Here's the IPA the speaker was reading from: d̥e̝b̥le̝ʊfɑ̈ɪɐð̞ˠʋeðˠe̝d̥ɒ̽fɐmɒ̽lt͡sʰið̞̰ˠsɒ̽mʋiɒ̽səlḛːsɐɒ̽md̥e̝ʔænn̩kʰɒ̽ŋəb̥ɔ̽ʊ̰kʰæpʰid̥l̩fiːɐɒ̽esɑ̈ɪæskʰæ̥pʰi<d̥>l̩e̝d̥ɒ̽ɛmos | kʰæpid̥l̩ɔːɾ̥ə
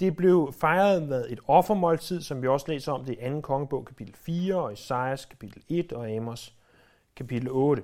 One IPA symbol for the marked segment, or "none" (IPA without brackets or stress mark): d̥